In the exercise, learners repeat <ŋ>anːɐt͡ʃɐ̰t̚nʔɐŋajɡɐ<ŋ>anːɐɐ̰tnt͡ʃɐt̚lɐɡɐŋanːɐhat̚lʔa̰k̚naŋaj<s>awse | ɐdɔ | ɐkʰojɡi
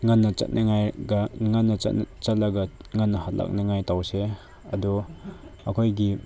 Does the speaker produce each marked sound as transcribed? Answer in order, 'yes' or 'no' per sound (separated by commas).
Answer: yes, yes, no